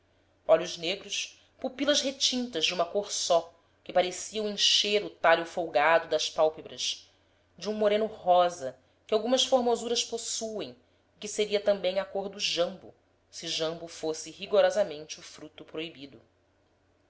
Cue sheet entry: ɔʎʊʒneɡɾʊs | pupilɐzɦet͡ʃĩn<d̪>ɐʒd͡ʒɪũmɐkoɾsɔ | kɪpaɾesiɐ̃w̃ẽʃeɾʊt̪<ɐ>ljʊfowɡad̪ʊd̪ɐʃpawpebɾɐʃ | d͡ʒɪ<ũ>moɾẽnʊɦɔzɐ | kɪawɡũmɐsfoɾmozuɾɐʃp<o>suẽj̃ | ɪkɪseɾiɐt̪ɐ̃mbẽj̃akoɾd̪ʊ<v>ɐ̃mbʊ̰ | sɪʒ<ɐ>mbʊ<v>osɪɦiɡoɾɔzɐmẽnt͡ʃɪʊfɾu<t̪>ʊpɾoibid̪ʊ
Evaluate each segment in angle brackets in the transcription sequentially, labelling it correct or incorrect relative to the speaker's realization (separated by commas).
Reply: incorrect, incorrect, correct, correct, incorrect, incorrect, incorrect, correct